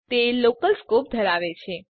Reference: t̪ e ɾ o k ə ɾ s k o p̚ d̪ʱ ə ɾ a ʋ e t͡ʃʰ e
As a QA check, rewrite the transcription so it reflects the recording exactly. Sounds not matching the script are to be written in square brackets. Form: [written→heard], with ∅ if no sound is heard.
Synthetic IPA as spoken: t̪ e [ɾ→l] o k ə [ɾ→l] s k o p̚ d̪ʱ ə ɾ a ʋ e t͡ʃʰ e

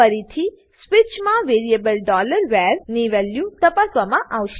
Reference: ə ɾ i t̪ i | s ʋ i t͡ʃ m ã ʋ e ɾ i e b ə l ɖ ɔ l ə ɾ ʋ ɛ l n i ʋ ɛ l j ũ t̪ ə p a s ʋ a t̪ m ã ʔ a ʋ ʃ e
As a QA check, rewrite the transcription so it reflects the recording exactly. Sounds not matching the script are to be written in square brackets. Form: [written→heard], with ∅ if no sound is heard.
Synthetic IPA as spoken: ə ɾ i [t̪→t̪ʰ] i | s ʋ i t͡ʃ m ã ʋ e ɾ i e b ə l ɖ ɔ l ə ɾ ʋ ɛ [l→ɾ] n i ʋ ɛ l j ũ t̪ ə p a s ʋ a [t̪→∅] m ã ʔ a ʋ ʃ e

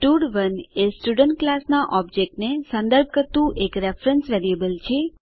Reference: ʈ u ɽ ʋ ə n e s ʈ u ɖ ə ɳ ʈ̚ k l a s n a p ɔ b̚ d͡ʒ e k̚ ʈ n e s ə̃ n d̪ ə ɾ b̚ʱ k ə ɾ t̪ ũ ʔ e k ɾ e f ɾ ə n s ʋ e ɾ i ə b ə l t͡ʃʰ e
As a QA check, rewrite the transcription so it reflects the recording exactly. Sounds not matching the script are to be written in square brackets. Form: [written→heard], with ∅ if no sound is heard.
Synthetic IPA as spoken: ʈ u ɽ ʋ ə n e s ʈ u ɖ ə ɳ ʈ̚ k l a s n a [p→ʔ] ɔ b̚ d͡ʒ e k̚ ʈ n e s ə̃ n d̪ ə ɾ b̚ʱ k ə ɾ t̪ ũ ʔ e k ɾ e f ɾ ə n s ʋ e ɾ i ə b ə l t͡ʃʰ e

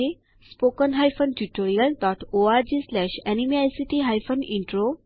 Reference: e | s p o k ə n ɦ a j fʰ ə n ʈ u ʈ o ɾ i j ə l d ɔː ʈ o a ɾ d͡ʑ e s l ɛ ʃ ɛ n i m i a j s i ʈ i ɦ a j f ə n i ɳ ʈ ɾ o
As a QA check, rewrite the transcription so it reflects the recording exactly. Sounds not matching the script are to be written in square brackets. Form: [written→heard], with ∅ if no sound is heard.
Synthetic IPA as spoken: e | s p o k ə n ɦ a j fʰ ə n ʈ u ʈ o ɾ i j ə l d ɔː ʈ o a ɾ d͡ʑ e s l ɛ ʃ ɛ n i m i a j s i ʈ i ɦ a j f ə n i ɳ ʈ ɾ o

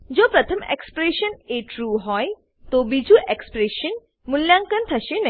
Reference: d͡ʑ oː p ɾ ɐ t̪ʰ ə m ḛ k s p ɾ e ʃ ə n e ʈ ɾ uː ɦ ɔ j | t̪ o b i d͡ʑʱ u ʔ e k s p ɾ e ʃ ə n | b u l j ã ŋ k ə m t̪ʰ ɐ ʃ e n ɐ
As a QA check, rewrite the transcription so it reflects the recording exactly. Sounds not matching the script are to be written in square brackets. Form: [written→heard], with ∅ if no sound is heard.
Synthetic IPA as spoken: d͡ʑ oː p ɾ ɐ t̪ʰ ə m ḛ k s p ɾ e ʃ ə n e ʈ ɾ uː ɦ ɔ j | t̪ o b i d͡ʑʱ u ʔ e k s p ɾ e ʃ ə n | [b→m] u l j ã ŋ k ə [m→n] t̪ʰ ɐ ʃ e n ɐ

